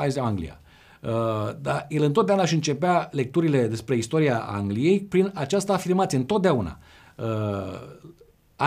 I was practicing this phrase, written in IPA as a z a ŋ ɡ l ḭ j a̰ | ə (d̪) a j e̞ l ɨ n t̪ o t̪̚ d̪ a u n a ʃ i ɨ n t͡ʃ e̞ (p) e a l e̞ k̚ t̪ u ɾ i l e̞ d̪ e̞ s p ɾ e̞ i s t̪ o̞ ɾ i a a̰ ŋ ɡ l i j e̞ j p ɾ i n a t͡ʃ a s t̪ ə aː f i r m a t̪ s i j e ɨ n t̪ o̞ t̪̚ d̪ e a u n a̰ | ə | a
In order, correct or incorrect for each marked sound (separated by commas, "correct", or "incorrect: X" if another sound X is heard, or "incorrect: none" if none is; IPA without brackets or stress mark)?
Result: correct, correct